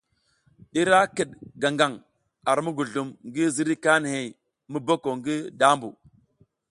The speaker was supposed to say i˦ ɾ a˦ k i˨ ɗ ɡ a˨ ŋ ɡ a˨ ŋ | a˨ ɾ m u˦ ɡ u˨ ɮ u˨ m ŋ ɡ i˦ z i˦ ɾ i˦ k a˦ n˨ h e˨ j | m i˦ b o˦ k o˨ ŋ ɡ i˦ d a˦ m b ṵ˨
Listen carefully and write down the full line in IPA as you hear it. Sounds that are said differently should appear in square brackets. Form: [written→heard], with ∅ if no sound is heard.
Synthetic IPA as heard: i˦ ɾ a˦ k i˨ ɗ ɡ a˨ ŋ ɡ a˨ ŋ | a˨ ɾ m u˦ ɡ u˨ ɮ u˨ m ŋ ɡ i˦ z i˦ ɾ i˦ k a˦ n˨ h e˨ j | m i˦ b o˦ k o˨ ŋ ɡ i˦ d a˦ m b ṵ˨